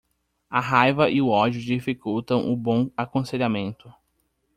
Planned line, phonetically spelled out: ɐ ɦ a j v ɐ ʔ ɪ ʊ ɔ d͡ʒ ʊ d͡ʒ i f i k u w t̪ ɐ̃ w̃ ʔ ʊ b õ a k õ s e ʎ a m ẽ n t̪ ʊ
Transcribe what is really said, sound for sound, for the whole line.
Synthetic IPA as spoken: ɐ ɦ a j v ɐ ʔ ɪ ʊ ɔ d͡ʒ ʊ d͡ʒ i f i k u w t̪ ɐ̃ w̃ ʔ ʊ b õ a k õ s e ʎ a m ẽ n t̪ ʊ